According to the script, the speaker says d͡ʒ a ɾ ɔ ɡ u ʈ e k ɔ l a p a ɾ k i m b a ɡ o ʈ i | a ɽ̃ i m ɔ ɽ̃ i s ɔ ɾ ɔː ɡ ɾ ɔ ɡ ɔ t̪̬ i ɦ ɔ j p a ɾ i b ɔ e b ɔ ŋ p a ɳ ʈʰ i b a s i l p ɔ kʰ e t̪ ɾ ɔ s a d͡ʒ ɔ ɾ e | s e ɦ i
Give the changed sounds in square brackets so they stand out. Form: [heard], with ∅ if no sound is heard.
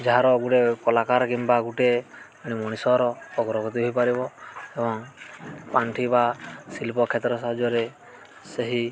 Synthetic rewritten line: d͡ʒ a ɾ ɔ ɡ u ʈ e k ɔ l a [k] a ɾ k i m b a ɡ [u] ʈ [e] | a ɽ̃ i m ɔ ɽ̃ i s ɔ ɾ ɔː ɡ ɾ ɔ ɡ ɔ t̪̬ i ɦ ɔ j p a ɾ i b ɔ e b ɔ ŋ p a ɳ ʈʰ i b a s i l p ɔ kʰ e t̪ ɾ ɔ s a d͡ʒ ɔ ɾ e | s e ɦ i